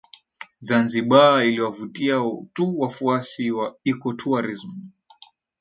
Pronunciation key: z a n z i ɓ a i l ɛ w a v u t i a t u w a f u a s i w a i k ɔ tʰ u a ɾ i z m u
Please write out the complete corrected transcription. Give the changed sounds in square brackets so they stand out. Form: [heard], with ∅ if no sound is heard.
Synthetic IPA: z a n z i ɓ a i l [i] w a v u t i a t u w a f u a s i w a i k ɔ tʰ u a ɾ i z m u

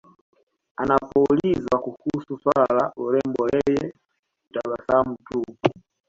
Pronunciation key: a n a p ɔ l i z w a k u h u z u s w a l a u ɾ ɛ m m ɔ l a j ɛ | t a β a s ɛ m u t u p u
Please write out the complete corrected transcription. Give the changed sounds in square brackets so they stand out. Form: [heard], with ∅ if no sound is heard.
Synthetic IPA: a n a p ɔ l i z w a k u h u [s] u s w a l a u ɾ ɛ m [b] ɔ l [ɛ] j ɛ | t a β a s [a] m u t u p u

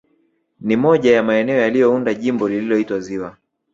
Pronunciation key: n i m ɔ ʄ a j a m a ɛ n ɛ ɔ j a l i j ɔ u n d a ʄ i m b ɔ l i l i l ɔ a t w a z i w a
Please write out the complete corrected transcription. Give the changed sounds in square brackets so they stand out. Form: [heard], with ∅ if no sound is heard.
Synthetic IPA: n i m ɔ ʄ a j a m a ɛ n ɛ ɔ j a l i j ɔ u n d a ʄ i m b ɔ l i l i l ɔ [i] t w a z i w a

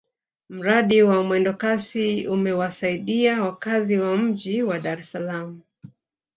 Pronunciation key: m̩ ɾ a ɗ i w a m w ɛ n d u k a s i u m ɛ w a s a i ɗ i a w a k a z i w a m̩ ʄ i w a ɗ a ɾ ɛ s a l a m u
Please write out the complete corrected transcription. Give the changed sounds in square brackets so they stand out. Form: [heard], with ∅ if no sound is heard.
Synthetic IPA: m̩ ɾ a ɗ i w a m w ɛ n d [ɔ] k a s i u m ɛ w a s a i ɗ i a w a k a z i w a m̩ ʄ i w a ɗ a ɾ ɛ s a l a m u

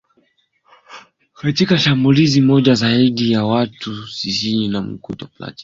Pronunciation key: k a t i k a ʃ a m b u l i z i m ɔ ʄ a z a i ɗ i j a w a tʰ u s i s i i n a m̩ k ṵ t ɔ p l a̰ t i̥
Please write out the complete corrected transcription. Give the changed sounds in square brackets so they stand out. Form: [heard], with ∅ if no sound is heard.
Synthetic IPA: k a t i k a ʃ a m b u l i z i m ɔ ʄ a z a i ɗ i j a w a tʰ u s i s i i n a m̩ k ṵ t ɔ p l a̰ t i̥

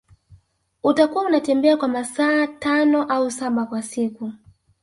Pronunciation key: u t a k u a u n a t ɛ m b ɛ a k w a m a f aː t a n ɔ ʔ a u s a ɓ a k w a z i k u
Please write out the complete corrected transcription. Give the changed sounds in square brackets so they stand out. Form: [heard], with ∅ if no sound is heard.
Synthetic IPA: u t a k u a u n a t ɛ m b ɛ a k w a m a [s] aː t a n ɔ ʔ a u s a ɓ a k w a [s] i k u

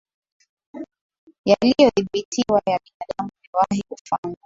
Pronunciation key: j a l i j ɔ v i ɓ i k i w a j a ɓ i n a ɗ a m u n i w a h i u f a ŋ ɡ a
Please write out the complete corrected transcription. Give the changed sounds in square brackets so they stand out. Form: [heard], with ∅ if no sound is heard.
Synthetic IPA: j a l i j ɔ [ð] i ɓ i [t] i w a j a ɓ i n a ɗ a m u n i w a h i u f a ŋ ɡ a

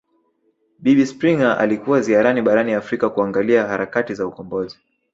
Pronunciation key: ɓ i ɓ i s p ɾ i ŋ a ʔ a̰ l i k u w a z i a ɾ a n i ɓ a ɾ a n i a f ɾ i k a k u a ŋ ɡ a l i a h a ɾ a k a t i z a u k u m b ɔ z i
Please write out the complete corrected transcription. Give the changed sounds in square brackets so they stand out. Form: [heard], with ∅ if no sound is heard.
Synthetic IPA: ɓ i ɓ i s p ɾ i ŋ a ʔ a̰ l i k u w a z i a ɾ a n i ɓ a ɾ a n i a f ɾ i k a k u a ŋ ɡ a l i a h a ɾ a k a t i z a u k [ɔ] m b ɔ z i

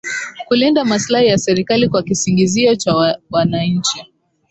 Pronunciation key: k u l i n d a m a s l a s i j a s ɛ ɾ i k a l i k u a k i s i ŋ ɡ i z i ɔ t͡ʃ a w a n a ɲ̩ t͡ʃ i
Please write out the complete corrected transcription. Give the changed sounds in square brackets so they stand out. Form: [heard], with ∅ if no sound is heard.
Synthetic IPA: k u l i n d a m a s l a [h] i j a s ɛ ɾ i k a l i k [w] a k i s i ŋ ɡ i z i ɔ t͡ʃ a w a n a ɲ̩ t͡ʃ i

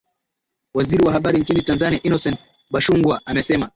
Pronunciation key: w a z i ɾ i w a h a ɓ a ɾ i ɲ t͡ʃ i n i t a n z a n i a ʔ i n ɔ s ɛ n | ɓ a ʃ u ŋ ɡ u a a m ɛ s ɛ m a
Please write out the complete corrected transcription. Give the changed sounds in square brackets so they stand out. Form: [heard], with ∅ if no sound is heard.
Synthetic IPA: w a z i ɾ i w a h a ɓ a ɾ i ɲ t͡ʃ i n i t a n z a n i a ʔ i n ɔ s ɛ n | ɓ a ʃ u ŋ ɡ [w] a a m ɛ s ɛ m a

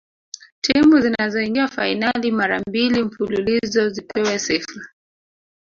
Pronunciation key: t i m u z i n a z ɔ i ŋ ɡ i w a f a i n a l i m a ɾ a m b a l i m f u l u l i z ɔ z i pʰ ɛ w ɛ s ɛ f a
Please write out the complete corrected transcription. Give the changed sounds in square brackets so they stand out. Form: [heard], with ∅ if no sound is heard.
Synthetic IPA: t i m u z i n a z ɔ i ŋ ɡ i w a f a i n a l i m a ɾ a m b [i] l i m f u l u l i z ɔ z i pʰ ɛ w ɛ s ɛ f a

